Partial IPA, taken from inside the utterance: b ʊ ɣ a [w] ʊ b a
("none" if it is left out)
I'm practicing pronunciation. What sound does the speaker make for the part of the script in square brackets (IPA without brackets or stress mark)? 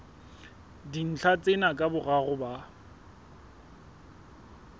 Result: ɣ